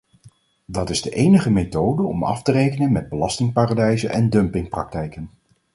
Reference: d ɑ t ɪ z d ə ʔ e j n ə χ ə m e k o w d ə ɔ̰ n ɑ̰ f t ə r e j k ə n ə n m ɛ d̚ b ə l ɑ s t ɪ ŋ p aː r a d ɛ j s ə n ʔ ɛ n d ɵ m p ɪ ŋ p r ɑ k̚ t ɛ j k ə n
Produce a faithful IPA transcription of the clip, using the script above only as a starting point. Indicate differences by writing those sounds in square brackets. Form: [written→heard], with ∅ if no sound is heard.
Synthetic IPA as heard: d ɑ t ɪ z d ə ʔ e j n ə χ ə m e [k→t] o w d ə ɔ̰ [n→m] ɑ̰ f t ə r e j k ə n ə n m ɛ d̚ b ə l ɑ s t ɪ ŋ p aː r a d ɛ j [s→z] ə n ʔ ɛ n d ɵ m p ɪ ŋ p r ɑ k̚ t ɛ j k ə n